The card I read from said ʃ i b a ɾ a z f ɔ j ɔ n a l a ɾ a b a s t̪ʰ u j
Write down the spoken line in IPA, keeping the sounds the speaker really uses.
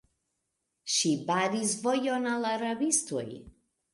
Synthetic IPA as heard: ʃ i b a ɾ i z v ɔ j ɔ n a l a ɾ a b i s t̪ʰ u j